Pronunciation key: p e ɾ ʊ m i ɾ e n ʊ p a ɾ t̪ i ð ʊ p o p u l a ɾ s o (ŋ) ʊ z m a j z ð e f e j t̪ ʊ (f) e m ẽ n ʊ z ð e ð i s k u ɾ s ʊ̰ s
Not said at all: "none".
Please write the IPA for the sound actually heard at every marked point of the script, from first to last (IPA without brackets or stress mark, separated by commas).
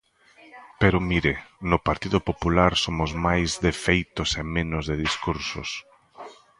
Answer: m, s